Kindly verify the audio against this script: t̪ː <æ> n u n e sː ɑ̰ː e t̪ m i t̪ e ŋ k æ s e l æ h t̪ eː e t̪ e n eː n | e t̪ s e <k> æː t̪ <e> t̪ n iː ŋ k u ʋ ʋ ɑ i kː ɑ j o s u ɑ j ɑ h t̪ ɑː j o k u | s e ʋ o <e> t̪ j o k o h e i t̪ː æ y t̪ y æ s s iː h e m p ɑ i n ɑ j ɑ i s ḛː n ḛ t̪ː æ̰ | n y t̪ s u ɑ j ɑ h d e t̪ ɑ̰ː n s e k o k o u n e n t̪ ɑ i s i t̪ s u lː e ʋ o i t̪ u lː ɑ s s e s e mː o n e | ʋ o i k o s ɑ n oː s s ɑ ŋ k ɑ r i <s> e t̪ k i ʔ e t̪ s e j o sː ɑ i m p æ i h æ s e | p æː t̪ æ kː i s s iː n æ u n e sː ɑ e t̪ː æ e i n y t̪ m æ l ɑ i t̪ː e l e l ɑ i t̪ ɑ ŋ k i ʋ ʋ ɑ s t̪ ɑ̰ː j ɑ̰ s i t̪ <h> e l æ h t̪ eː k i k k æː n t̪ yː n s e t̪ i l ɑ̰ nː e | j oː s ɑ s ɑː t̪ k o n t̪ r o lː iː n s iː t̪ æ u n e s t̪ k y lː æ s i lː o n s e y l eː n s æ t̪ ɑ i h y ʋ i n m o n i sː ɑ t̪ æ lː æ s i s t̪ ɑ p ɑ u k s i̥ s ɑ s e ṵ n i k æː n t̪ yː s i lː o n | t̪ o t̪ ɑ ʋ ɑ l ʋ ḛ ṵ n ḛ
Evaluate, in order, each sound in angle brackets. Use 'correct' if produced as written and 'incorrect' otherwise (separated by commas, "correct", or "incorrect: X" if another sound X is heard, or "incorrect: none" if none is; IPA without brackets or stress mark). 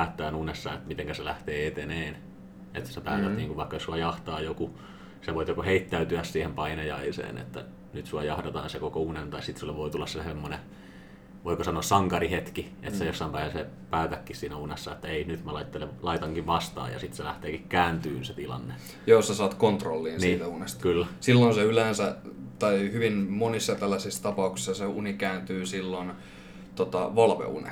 incorrect: æː, incorrect: p, incorrect: æ, incorrect: i, incorrect: h, incorrect: s